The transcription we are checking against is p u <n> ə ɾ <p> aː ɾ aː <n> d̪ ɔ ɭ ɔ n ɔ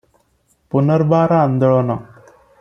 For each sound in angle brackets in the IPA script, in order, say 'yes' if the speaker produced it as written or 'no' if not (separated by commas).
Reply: yes, no, yes